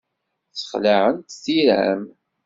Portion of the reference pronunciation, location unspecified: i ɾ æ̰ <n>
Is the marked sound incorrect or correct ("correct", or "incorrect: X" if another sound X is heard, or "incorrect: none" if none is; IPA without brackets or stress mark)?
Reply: incorrect: m